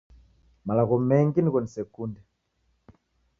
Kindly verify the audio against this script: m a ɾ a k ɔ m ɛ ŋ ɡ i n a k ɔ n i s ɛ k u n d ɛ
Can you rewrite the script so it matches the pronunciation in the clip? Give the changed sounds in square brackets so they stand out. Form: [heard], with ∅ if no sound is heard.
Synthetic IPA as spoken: m a [l] a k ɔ m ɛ ŋ ɡ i n [i] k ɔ n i s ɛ k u n d ɛ